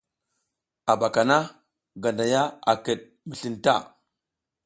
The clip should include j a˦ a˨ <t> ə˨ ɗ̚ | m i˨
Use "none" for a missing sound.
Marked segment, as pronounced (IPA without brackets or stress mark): k